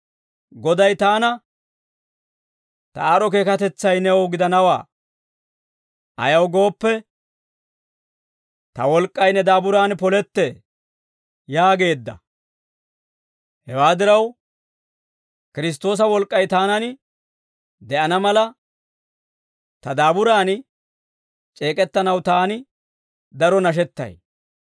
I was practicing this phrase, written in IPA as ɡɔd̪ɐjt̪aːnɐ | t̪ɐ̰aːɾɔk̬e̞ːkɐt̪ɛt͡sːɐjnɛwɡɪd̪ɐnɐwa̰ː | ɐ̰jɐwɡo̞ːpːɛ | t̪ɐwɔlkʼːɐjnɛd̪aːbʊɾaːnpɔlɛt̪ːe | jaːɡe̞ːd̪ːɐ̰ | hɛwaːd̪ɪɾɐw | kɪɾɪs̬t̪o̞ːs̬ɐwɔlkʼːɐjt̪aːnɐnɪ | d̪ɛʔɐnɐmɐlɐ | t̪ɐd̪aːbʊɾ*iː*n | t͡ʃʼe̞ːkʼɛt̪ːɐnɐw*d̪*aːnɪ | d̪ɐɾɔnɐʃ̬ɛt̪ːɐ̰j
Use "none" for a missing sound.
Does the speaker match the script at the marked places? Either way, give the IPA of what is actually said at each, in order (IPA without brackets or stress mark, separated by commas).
aː, t̪